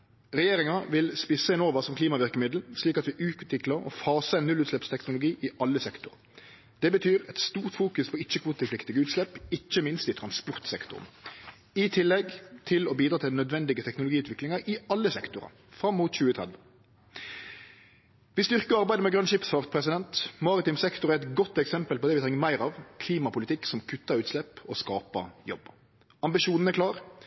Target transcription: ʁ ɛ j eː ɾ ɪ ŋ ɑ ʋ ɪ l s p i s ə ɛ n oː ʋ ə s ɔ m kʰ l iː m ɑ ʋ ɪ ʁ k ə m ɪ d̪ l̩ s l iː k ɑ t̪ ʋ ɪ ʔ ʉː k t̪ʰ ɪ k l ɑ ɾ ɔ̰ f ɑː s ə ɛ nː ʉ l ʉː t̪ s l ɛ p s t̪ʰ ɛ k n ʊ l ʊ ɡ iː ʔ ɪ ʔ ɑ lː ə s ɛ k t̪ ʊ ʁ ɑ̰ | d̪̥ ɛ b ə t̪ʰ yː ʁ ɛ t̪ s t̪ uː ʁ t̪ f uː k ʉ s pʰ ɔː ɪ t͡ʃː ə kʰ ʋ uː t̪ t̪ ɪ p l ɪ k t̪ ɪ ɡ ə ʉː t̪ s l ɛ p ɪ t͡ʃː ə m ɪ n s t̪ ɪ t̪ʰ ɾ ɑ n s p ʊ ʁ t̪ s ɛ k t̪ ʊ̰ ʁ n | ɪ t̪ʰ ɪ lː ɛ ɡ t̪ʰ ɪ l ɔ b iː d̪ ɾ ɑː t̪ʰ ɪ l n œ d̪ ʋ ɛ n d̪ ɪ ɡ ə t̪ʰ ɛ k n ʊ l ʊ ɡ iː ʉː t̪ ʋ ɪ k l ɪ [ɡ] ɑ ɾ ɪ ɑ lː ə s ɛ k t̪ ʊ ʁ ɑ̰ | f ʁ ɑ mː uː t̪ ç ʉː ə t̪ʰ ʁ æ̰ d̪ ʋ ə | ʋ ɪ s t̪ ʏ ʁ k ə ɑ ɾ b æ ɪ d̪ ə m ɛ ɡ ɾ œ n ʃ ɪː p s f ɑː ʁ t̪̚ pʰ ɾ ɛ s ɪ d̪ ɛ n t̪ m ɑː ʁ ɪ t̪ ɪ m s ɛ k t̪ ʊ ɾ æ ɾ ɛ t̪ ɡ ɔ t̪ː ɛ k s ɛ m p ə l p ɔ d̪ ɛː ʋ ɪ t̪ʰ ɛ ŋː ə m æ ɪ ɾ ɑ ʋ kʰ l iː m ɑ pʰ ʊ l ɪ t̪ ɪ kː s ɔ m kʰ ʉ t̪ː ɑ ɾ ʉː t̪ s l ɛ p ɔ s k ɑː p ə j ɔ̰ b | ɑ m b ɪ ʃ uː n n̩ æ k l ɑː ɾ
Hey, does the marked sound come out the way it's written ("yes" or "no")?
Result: no